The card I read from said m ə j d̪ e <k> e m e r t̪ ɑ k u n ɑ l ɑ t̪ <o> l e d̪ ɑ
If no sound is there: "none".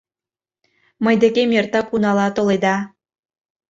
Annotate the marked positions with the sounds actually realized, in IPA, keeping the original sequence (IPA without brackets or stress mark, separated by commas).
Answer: k, o